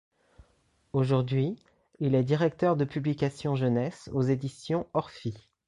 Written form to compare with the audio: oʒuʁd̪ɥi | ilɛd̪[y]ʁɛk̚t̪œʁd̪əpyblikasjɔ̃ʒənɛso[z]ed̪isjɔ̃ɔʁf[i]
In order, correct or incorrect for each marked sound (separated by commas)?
incorrect, correct, correct